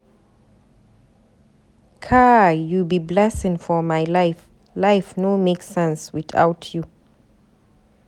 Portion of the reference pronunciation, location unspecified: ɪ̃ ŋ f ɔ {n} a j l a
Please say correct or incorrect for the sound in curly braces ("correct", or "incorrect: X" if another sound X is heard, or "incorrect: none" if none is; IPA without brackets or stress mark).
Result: incorrect: m